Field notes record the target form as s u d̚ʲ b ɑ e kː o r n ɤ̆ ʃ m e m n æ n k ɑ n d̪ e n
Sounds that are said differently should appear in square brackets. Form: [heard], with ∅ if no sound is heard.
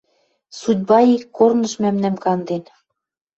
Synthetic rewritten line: s u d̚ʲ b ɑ [i] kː o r n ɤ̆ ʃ m [æ] m n æ [m] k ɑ n d̪ e n